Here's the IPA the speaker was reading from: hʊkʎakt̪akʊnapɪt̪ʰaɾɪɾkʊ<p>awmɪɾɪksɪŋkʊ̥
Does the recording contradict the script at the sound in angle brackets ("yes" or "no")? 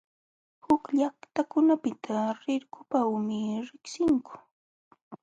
no